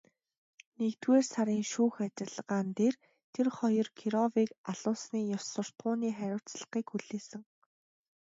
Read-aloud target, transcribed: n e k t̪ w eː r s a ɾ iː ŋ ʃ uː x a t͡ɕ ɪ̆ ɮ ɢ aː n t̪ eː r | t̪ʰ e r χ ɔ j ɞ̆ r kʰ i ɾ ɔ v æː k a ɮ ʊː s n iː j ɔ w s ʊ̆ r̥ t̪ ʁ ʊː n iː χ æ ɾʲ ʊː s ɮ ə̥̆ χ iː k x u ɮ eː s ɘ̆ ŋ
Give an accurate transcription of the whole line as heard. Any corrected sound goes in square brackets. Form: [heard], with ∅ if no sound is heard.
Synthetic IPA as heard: n e k t̪ w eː r s a ɾ iː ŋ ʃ uː x a t͡ɕ ɪ̆ ɮ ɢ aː n t̪ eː r | t̪ʰ e r χ ɔ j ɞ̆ r kʰ i ɾ ɔ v [iː] k a ɮ ʊː s n iː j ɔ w s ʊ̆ r̥ t̪ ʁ ʊː n iː χ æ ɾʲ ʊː [t͡s] ɮ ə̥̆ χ iː k x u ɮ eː s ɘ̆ ŋ